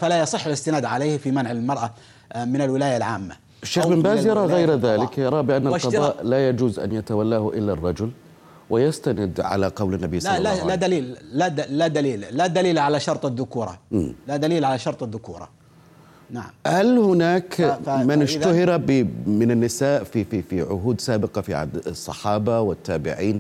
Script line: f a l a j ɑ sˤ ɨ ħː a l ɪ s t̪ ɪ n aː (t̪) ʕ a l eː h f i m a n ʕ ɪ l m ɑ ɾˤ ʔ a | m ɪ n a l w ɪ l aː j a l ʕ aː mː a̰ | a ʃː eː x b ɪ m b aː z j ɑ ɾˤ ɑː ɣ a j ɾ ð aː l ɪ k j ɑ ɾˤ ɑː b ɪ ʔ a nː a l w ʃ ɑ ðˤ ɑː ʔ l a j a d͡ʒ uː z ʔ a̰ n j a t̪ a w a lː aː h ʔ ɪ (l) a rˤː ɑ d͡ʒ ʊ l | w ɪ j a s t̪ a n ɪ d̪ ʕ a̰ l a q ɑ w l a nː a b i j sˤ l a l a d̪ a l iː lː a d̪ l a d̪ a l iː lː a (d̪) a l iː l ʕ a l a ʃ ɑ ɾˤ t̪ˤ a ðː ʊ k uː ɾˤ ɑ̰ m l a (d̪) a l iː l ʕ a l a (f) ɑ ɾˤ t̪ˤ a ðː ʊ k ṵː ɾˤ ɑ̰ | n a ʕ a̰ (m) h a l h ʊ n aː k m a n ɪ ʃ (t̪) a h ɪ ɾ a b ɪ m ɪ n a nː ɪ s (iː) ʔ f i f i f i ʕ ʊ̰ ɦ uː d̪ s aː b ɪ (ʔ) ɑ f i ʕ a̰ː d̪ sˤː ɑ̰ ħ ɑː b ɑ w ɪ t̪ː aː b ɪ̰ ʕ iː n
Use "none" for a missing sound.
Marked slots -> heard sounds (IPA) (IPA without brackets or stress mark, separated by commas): d̪, lː, d̪, d̪, ʃ, m, t̪, aː, q